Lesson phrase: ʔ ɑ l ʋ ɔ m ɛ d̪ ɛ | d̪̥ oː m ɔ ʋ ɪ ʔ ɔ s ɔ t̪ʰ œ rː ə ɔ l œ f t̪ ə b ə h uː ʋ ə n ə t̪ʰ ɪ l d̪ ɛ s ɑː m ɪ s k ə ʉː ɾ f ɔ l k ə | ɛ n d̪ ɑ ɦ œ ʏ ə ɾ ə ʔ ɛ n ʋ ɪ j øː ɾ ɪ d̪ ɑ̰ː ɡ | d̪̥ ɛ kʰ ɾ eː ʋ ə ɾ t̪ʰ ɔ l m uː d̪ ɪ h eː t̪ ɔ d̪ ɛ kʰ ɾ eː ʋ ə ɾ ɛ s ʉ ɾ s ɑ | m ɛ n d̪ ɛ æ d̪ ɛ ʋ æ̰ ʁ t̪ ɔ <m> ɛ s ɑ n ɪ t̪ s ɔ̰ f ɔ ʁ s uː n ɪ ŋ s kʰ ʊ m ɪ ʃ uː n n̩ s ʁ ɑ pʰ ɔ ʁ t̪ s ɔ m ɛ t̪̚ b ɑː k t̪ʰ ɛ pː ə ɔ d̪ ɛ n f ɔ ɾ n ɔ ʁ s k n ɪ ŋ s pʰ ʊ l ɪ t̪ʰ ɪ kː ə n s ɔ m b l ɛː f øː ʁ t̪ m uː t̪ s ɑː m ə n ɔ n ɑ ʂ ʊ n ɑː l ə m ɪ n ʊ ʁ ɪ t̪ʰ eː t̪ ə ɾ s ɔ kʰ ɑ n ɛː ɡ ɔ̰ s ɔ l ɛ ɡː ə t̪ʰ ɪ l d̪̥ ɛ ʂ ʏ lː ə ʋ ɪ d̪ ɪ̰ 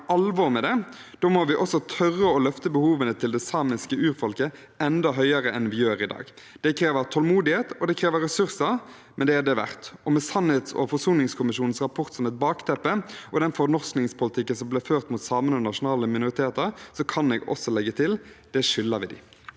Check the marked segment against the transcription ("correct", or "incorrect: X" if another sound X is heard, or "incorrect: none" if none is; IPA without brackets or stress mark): correct